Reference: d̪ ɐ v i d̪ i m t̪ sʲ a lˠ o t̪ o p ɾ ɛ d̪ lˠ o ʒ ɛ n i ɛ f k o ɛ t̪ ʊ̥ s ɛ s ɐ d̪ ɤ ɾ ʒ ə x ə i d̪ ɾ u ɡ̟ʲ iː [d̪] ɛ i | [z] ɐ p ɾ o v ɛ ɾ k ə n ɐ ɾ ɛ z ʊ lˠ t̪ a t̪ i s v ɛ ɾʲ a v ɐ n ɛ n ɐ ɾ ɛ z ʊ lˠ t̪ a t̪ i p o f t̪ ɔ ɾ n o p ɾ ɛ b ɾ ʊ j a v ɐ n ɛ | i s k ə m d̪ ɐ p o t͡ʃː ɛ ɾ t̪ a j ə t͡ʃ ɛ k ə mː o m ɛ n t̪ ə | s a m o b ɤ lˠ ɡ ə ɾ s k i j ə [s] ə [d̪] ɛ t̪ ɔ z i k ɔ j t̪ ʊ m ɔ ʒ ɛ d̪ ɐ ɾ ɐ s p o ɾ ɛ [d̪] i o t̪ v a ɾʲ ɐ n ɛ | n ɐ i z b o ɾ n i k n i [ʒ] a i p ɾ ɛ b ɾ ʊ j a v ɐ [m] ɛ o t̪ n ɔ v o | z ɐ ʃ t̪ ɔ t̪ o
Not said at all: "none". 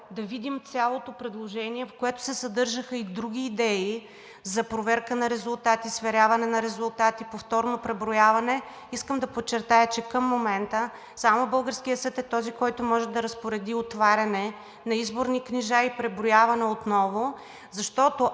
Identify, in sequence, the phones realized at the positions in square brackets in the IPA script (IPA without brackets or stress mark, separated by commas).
d̪, z, s, t̪, d̪, ʒ, n